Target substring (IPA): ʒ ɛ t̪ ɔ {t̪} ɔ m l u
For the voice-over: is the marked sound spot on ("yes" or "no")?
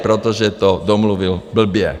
no